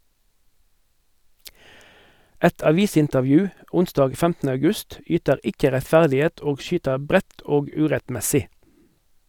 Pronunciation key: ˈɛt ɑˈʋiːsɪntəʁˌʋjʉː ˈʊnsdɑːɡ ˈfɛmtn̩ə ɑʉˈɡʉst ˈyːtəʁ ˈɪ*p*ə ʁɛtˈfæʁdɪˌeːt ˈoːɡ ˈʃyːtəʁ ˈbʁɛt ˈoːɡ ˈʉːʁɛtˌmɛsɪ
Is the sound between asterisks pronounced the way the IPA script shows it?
no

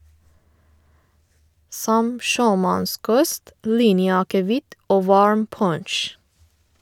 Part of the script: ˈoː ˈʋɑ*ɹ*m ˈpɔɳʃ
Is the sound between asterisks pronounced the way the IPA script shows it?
yes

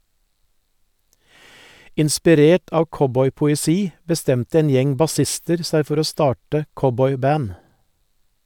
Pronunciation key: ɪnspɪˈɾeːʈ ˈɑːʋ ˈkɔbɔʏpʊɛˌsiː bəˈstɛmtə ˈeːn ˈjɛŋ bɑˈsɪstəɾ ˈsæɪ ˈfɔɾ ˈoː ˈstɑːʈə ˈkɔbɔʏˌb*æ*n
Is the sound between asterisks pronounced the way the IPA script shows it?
no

